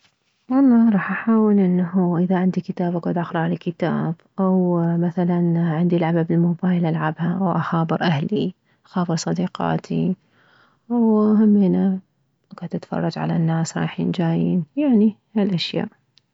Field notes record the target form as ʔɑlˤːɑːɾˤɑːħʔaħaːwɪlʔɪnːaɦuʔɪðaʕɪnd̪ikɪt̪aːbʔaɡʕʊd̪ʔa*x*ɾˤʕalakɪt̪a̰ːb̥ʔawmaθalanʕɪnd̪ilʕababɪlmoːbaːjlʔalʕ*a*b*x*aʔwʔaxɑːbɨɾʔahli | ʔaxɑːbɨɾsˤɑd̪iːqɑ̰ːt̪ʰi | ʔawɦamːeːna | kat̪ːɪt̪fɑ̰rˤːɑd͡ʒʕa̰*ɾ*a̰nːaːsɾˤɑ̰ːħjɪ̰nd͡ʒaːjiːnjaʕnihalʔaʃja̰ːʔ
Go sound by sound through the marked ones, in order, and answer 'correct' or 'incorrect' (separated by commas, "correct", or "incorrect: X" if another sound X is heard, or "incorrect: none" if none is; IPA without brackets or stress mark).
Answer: correct, correct, incorrect: h, incorrect: l